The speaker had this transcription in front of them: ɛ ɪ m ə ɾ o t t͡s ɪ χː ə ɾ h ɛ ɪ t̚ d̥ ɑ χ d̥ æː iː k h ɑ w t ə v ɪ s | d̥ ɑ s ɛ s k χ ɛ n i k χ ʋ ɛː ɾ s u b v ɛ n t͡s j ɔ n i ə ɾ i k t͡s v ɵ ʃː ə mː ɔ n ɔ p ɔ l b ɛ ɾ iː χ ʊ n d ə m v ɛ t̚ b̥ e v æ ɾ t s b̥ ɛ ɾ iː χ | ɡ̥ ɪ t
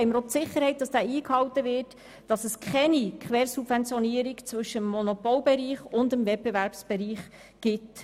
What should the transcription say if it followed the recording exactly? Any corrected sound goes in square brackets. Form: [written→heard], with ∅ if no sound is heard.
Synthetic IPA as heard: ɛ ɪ m ə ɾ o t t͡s ɪ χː ə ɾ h ɛ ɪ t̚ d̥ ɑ [χ→s] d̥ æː iː k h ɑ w t ə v ɪ [s→t] | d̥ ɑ s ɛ s k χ ɛ n i k χ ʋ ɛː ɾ s u b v ɛ n t͡s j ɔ n i ə ɾ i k t͡s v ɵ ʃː ə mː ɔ n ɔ p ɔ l b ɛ ɾ iː χ ʊ n d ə m v ɛ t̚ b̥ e v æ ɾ [t→p] s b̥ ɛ ɾ iː χ | ɡ̥ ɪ t